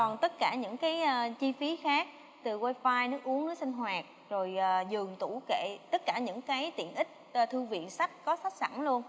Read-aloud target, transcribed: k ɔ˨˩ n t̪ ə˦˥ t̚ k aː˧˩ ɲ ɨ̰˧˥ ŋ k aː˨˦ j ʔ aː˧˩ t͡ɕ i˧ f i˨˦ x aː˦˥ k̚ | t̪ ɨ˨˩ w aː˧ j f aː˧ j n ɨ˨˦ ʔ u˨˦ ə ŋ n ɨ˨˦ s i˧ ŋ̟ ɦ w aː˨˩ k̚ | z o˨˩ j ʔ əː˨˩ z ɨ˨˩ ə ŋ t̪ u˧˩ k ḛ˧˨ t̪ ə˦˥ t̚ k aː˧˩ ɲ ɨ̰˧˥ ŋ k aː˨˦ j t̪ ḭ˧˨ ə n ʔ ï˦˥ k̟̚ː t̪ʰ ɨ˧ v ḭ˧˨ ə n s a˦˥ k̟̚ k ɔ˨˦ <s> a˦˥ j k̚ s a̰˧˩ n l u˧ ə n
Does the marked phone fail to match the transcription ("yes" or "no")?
no